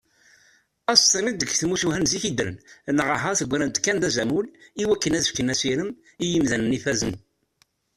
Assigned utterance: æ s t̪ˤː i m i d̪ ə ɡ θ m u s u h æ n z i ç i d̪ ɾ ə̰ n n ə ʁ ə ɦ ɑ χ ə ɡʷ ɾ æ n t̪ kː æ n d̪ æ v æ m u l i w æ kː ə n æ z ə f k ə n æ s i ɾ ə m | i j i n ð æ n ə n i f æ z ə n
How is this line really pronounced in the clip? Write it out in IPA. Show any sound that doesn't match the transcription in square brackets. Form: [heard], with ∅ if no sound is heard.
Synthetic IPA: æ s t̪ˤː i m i d̪ ə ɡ θ m u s u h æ n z i ç i d̪ ɾ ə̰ n n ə ʁ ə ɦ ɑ [θ] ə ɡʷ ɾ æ n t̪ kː æ n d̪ æ [z] æ m u l i w æ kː ə n æ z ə f k ə n æ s i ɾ ə m | i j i [m] ð æ n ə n i f æ z ə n